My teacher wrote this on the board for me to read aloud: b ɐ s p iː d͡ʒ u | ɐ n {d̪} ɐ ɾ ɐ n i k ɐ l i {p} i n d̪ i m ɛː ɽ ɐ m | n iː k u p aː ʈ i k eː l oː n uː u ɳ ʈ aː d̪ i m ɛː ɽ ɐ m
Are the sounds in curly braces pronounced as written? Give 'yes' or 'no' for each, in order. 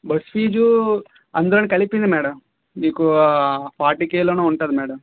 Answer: yes, yes

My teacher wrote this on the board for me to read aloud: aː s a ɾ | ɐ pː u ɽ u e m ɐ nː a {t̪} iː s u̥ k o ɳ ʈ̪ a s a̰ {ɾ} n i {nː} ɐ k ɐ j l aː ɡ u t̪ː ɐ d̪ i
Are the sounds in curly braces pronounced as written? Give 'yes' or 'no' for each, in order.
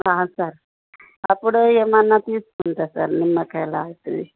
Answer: yes, yes, no

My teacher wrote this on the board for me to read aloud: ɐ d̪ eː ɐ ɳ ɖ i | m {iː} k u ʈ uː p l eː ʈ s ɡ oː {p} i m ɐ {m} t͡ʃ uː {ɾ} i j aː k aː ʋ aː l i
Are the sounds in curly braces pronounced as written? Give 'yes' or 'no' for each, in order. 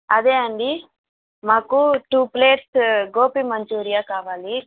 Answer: no, yes, no, yes

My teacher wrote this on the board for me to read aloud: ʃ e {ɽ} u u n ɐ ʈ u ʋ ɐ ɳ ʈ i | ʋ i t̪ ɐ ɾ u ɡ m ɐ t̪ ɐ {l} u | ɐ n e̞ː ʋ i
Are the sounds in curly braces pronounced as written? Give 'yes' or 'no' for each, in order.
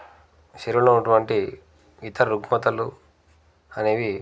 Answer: no, yes

